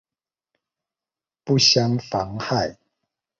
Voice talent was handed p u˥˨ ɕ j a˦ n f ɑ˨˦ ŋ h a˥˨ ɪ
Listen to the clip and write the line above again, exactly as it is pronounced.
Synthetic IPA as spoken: p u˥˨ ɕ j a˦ ŋ f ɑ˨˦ ŋ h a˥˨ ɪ